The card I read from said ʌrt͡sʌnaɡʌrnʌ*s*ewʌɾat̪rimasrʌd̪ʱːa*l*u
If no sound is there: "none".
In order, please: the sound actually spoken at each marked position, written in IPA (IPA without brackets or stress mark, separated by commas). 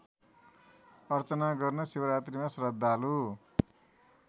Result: s, l